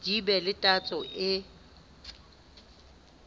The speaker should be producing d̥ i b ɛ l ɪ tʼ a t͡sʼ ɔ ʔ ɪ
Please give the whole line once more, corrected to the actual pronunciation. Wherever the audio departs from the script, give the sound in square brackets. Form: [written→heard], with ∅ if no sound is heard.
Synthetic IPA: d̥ i b ɛ l ɪ tʼ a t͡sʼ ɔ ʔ ɪ